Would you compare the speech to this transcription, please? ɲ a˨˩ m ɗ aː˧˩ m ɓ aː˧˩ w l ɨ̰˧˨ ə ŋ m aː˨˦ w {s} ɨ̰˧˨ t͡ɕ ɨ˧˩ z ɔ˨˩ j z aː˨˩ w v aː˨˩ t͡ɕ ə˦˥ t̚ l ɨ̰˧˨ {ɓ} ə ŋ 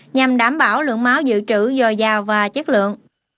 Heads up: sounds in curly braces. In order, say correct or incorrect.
incorrect: z, incorrect: none

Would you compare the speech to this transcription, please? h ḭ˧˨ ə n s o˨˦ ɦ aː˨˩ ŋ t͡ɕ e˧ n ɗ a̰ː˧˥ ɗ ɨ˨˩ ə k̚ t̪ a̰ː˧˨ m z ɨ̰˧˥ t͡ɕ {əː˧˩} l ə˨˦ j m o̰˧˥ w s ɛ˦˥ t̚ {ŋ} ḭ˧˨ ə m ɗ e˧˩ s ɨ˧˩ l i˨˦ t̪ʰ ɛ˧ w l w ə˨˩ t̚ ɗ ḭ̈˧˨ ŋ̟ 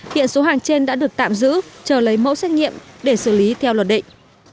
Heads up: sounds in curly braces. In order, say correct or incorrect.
correct, correct

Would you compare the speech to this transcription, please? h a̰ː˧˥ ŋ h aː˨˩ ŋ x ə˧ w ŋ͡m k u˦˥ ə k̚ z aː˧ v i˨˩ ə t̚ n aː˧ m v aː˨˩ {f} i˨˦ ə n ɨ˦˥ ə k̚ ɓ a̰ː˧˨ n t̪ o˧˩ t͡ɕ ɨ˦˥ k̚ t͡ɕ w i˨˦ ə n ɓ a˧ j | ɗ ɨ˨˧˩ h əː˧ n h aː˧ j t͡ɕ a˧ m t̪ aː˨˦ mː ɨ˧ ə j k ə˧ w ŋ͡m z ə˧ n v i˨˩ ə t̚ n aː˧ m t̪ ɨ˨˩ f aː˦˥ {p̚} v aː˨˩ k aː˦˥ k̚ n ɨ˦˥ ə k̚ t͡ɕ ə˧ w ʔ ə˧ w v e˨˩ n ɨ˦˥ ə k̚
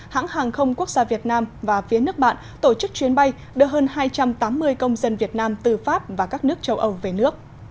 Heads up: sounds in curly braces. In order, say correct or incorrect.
correct, correct

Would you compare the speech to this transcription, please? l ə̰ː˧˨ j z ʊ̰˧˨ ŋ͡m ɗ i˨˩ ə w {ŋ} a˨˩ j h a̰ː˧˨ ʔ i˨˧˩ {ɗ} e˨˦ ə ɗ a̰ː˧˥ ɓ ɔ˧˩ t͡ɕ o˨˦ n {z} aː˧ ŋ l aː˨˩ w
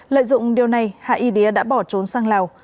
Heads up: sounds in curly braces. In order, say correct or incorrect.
incorrect: n, correct, incorrect: s

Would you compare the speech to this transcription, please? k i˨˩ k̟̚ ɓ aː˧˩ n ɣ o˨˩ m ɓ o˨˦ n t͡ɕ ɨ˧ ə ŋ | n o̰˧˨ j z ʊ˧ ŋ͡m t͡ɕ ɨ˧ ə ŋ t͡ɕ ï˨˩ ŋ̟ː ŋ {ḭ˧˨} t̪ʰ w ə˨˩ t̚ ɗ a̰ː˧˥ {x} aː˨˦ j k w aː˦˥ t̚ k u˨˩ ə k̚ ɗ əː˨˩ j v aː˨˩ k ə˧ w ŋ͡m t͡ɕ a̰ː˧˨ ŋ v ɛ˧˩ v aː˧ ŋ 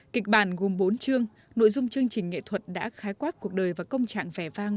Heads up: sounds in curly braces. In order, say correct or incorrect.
incorrect: ḛ˧˨, correct

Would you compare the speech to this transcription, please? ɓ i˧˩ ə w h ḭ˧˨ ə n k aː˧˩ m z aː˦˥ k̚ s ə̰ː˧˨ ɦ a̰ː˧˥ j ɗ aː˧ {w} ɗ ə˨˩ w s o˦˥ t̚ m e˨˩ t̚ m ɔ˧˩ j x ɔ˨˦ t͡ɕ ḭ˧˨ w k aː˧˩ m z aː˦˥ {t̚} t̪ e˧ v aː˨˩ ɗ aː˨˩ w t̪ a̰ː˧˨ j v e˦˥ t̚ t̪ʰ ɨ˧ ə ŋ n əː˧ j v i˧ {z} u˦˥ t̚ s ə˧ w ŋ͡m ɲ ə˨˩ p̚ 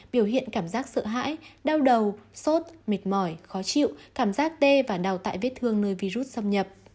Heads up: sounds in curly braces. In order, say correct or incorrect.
correct, incorrect: k̚, correct

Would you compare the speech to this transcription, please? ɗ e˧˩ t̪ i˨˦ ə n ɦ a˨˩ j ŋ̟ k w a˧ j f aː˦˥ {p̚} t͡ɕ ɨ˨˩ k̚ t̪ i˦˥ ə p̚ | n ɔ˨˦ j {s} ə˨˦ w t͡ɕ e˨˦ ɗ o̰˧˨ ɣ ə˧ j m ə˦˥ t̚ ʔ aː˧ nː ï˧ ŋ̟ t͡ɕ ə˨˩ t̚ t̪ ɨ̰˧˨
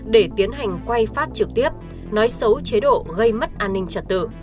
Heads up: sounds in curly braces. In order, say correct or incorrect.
incorrect: t̚, correct

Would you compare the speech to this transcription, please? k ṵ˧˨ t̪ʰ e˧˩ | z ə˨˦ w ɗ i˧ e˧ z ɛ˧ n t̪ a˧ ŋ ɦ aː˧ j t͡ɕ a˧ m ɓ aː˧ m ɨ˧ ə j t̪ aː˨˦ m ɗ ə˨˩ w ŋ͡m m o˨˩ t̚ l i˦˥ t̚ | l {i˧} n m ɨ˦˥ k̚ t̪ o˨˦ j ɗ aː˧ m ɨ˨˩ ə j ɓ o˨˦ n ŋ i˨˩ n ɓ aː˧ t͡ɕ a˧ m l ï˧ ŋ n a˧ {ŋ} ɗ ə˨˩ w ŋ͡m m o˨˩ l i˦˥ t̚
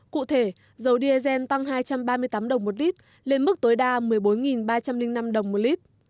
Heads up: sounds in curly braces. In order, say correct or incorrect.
incorrect: e˧, incorrect: m

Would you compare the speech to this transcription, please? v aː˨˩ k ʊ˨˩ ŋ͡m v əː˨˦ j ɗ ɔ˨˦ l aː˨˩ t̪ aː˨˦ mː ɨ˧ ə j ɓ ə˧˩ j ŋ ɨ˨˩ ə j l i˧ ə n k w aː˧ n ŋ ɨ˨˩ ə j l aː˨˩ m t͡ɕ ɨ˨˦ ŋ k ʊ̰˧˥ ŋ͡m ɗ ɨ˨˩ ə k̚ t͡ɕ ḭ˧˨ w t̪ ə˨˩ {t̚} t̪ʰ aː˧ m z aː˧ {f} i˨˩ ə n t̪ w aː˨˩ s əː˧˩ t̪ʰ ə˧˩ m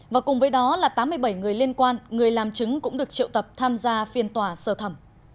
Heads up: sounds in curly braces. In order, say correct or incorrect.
incorrect: p̚, correct

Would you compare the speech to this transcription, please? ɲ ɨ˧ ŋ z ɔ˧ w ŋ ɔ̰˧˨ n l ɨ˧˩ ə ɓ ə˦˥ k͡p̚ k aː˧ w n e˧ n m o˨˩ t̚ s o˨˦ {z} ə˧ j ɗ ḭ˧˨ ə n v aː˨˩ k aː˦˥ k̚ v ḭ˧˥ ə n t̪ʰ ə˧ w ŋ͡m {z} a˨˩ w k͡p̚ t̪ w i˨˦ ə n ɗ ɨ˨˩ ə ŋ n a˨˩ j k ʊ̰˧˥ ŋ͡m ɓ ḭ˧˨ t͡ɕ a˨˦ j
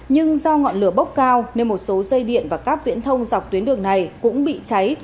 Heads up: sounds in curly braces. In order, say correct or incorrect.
correct, correct

